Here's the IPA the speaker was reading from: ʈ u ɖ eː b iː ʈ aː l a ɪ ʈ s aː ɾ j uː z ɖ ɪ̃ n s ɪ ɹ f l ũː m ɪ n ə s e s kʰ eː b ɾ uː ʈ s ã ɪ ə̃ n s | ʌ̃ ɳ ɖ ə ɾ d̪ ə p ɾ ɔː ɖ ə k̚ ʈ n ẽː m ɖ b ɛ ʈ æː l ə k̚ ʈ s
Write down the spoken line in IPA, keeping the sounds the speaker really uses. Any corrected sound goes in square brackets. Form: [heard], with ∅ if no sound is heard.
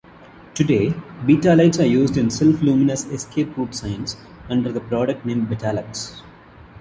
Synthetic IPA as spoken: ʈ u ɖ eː b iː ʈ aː l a ɪ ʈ s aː ɾ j uː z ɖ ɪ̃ n s ɪ [l] f l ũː m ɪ n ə s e s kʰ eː [p] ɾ uː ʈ s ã ɪ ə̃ n s | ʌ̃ ɳ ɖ ə ɾ d̪ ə p ɾ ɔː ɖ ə k̚ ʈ n ẽː m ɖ b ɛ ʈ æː l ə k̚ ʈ s